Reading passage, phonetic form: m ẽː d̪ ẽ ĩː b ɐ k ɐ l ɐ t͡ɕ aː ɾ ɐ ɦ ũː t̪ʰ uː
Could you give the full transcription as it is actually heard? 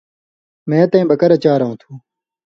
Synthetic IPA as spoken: m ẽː t̪ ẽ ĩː b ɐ k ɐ ɾ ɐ t͡ɕ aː ɾ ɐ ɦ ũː t̪ʰ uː